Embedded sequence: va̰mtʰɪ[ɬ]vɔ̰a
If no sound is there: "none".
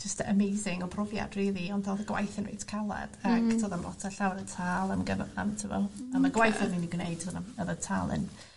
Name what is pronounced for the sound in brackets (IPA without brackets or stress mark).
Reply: none